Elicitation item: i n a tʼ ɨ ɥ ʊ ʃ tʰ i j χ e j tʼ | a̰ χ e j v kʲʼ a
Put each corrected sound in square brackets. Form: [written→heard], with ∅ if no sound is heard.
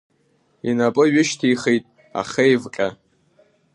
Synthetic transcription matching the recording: i n a [tʼ→pʼ] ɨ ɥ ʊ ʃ tʰ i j χ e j tʼ | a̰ χ e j v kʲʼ a